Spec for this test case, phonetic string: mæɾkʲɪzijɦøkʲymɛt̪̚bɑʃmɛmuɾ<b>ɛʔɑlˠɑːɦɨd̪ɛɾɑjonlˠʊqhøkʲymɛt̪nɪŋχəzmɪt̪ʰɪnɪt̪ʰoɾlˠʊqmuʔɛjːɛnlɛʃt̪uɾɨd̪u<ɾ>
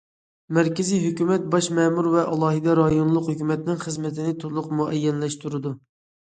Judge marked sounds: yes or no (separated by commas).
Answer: no, no